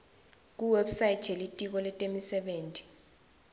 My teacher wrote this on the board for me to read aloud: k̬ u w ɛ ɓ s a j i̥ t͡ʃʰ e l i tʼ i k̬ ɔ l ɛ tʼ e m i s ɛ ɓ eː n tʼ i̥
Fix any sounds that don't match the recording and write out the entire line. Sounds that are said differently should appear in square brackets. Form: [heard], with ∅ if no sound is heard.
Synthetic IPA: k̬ u w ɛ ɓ s a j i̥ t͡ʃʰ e l i tʼ i k̬ ɔ l ɛ tʼ e m i s ɛ ɓ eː n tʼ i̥